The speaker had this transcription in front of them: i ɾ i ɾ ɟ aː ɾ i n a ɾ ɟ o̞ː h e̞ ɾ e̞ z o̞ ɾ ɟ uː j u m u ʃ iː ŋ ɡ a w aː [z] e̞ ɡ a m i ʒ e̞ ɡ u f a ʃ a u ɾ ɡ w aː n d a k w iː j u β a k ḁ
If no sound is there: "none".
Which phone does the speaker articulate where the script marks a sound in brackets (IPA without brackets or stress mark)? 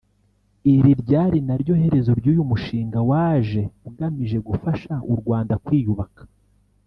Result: ʒ